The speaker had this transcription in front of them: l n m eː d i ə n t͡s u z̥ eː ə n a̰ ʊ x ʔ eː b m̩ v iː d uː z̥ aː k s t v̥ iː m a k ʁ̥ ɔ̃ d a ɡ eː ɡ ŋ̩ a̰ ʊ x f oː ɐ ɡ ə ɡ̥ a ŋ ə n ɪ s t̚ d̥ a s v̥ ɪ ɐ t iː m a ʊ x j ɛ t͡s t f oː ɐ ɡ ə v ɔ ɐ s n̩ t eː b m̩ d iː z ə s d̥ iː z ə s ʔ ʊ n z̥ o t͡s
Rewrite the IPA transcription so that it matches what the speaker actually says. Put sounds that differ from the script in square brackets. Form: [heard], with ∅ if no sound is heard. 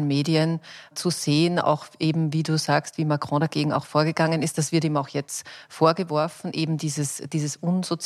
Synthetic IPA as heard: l n m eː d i ə n t͡s u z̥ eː ə n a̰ ʊ x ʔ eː b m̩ v iː d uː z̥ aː k s t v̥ iː m a k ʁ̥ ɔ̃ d a ɡ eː ɡ ŋ̩ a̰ ʊ x f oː ɐ ɡ ə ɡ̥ a ŋ ə n ɪ s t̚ d̥ a s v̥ ɪ ɐ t iː m a ʊ x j ɛ t͡s t f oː ɐ ɡ ə v ɔ ɐ [f] n̩ [ʔ] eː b m̩ d iː z ə s d̥ iː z ə s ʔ ʊ n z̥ o t͡s